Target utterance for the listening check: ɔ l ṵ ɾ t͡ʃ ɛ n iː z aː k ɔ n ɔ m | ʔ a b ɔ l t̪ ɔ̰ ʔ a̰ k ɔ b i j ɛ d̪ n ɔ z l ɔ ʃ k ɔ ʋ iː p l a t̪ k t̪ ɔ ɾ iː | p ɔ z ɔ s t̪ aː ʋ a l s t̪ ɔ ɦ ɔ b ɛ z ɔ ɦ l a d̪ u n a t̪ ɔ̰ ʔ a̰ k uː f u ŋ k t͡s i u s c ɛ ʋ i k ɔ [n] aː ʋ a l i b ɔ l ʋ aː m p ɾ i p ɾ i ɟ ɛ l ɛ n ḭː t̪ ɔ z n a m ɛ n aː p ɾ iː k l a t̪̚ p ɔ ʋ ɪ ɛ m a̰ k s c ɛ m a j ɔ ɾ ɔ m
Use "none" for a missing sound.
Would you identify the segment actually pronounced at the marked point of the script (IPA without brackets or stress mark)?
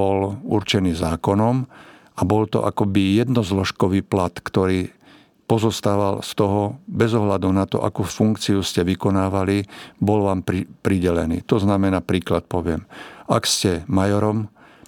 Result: n